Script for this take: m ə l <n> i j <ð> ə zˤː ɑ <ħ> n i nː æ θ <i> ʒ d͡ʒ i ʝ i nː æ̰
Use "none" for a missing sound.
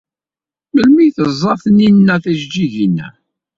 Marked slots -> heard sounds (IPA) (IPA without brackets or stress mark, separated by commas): m, θ, θ, æ